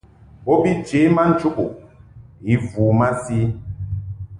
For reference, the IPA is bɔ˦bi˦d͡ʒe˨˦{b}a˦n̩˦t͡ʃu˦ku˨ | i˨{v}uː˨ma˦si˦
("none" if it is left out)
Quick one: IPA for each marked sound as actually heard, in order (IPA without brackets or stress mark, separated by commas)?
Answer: m, v